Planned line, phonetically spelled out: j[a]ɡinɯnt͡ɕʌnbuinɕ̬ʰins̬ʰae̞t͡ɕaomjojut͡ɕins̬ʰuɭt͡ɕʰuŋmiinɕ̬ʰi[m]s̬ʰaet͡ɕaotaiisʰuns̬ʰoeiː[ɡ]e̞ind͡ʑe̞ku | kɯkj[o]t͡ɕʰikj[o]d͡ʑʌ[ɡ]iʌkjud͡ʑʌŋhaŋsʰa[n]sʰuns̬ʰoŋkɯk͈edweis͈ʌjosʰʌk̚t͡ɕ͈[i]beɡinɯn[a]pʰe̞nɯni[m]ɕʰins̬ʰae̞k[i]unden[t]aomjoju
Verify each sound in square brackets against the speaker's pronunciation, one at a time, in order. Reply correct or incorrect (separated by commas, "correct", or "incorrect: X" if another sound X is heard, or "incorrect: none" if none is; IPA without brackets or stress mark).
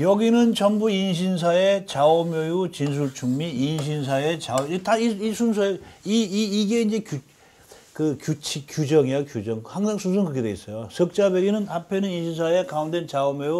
incorrect: ʌ, incorrect: n, correct, incorrect: u, incorrect: u, incorrect: ŋ, incorrect: ŋ, incorrect: a, correct, incorrect: n, incorrect: a, incorrect: t͡ɕ